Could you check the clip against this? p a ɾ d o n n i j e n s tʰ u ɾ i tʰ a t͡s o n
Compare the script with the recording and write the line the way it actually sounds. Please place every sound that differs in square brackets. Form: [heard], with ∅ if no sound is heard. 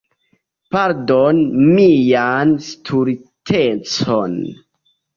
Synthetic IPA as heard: p a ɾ d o n [m] i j [a] n s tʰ u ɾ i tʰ [e] t͡s o n